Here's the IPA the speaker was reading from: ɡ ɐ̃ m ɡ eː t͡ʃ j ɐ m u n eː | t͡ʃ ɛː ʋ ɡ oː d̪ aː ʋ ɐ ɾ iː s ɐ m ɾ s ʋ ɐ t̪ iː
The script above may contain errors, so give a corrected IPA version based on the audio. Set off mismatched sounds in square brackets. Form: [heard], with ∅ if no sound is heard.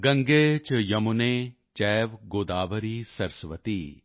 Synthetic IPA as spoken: ɡ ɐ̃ [ŋ] ɡ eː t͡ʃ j ɐ m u n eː | t͡ʃ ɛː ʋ ɡ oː d̪ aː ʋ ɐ ɾ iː s ɐ [∅] ɾ s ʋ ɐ t̪ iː